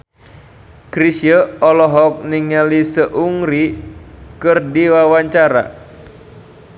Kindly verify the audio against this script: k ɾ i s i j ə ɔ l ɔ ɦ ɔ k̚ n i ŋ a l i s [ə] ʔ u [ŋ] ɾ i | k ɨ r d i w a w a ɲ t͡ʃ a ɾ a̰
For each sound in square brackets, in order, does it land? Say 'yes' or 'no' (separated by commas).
yes, yes